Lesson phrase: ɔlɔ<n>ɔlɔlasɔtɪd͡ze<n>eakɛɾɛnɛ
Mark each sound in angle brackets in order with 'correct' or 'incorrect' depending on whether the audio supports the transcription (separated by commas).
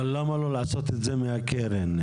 incorrect, incorrect